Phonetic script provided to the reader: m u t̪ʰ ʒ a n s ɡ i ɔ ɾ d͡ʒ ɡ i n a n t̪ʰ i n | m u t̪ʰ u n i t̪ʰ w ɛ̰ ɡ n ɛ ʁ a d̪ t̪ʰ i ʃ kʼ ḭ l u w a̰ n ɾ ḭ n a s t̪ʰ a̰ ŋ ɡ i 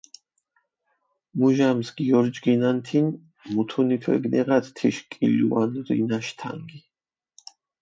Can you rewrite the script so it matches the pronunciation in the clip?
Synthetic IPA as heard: m u ʒ a m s ɡ i ɔ ɾ d͡ʒ ɡ i n a n t̪ʰ i n | m u t̪ʰ u n i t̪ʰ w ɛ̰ ɡ n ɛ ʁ a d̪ t̪ʰ i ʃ kʼ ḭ l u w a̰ n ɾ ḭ n a ʃ t̪ʰ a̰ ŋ ɡ i